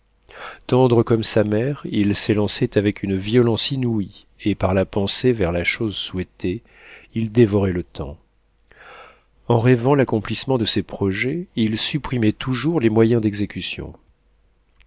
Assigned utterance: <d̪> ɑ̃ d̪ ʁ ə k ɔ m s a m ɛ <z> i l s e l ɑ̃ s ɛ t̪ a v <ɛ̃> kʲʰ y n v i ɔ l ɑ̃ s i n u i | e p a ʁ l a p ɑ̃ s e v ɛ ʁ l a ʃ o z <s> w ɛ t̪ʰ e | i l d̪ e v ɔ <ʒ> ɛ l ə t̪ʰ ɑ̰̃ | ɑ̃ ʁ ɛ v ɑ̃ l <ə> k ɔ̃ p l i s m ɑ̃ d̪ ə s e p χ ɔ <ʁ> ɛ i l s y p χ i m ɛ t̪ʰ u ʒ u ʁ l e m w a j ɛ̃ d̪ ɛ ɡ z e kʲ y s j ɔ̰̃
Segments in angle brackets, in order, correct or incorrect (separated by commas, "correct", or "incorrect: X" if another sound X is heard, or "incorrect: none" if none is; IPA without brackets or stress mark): incorrect: t̪, incorrect: ʁ, incorrect: ɛ, correct, incorrect: ʁ, incorrect: a, incorrect: ʒ